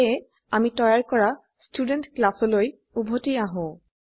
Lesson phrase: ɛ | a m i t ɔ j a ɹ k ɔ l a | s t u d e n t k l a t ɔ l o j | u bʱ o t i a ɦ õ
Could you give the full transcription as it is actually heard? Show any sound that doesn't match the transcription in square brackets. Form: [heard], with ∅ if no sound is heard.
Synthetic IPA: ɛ | a m i t ɔ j a ɹ k ɔ [ɹ] a | s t u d e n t k l a [s] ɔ l o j | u bʱ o t i a ɦ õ